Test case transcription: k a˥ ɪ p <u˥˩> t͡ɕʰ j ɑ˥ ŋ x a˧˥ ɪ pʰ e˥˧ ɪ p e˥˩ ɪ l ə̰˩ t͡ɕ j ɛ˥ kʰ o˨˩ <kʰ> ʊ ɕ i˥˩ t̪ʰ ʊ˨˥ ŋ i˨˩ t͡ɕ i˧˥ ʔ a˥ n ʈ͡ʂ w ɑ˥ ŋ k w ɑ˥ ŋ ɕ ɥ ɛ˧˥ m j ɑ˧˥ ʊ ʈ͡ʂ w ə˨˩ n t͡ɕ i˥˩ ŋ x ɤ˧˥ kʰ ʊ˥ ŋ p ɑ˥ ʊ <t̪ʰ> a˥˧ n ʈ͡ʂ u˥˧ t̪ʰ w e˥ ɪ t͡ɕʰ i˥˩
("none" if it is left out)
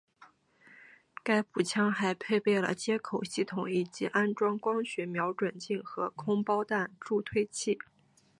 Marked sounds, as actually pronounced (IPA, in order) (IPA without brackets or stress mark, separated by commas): u˨˩, none, t̪